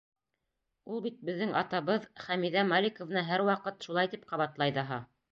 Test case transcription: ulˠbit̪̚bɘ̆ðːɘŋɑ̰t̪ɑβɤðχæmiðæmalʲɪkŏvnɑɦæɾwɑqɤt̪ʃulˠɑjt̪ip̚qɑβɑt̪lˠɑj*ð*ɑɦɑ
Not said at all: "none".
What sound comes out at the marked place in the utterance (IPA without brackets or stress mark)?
ð